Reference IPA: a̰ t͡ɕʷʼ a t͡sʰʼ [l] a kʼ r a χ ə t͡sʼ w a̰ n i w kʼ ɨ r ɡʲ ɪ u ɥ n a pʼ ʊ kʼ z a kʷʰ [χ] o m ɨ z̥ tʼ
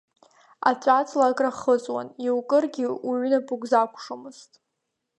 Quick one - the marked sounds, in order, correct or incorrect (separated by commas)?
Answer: correct, incorrect